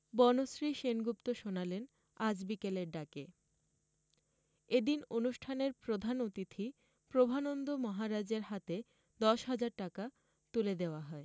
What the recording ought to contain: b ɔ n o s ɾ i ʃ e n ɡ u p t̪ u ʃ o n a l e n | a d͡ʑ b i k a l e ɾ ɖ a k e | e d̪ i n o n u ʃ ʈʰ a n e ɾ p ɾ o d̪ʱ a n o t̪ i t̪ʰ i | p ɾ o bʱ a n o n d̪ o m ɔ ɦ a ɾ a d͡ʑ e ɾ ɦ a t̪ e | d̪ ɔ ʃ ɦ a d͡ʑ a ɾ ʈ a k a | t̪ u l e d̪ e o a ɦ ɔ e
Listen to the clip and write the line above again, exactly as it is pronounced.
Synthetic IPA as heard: b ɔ n o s ɾ i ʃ e n ɡ u p t̪ o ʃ o n a l e n | a d͡ʑ b i k e l e ɾ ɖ a k e | e d̪ i n o n u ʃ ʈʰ a n e ɾ p ɾ o d̪ʱ a n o t̪ i t̪ʰ i | p ɾ o bʱ a n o n d̪ o m ɔ ɦ a ɾ a d͡ʑ e ɾ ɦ a t̪ e | d̪ ɔ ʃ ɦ a d͡ʑ a ɾ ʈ a k a | t̪ u l e d̪ e o a ɦ ɔ e